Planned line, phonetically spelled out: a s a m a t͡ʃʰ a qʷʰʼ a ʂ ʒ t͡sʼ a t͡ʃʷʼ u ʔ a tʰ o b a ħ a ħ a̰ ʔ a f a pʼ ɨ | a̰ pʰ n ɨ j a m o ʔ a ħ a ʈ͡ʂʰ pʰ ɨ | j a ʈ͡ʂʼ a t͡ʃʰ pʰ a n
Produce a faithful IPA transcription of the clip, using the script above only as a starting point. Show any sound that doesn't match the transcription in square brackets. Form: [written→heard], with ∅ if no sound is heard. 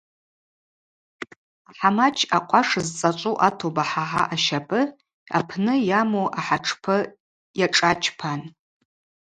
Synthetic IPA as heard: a [s→ħ] a m a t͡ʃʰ a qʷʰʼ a ʂ [ʒ→z] t͡sʼ a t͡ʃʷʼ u ʔ a tʰ o b a ħ a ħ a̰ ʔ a [f→ʃ] a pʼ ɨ | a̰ pʰ n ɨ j a m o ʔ a ħ a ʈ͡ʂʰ pʰ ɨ | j a ʈ͡ʂʼ a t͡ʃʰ pʰ a n